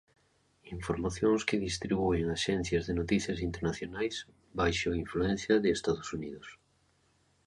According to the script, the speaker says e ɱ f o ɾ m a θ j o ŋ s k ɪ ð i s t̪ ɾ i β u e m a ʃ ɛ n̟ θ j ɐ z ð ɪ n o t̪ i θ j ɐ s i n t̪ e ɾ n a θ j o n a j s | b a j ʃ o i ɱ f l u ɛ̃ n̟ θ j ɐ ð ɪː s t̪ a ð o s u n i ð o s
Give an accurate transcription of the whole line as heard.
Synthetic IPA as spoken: i ɱ f o ɾ m a θ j o ŋ s k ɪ ð i s t̪ ɾ i β u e ŋ a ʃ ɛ n̟ θ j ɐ z ð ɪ n o t̪ i θ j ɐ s i n t̪ e ɾ n a θ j o n a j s | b a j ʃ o i ɱ f l u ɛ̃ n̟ θ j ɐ ð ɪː s t̪ a ð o s u n i ð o s